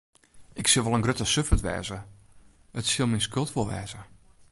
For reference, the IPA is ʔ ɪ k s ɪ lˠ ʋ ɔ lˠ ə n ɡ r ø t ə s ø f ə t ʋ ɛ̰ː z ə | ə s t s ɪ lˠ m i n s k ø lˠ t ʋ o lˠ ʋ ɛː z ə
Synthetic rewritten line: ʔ ɪ k s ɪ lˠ ʋ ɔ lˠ ə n ɡ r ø t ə s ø f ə t ʋ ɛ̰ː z ə | ə t s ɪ lˠ m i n s k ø lˠ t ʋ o lˠ ʋ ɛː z ə